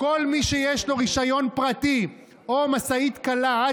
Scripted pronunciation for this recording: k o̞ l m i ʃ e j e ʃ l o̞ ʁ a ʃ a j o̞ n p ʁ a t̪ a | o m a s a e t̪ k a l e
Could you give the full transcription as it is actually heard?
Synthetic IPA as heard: k o̞ l m i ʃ e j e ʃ l o̞ ʁ i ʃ a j o̞ n p ʁ a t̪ i | o m a s a i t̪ k a l a